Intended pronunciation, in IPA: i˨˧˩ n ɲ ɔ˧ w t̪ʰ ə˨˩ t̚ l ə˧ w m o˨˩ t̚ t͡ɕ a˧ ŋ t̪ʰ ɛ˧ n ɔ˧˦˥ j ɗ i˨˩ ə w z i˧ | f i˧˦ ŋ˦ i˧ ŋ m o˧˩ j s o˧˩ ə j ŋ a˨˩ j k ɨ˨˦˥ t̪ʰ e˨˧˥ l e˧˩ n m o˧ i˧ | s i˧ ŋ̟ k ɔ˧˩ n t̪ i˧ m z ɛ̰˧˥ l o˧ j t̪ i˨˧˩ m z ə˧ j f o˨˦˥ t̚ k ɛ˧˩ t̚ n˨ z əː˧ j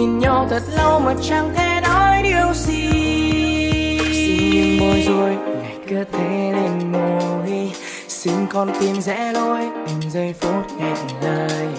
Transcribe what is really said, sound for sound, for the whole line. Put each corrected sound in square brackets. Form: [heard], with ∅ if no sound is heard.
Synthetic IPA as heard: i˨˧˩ n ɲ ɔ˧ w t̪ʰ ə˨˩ t̚ l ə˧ w m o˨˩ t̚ t͡ɕ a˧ ŋ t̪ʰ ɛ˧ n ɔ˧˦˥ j ɗ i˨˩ ə w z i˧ | [s] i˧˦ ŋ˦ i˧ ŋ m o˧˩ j [z] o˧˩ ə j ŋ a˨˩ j k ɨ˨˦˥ t̪ʰ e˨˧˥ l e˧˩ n m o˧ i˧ | s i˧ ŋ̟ k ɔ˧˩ n t̪ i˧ m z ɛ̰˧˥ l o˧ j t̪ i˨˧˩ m z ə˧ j f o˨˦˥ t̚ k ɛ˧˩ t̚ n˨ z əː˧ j